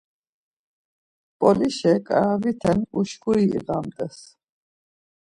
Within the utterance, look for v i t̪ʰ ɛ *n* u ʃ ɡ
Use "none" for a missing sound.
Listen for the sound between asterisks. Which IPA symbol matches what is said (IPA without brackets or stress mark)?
n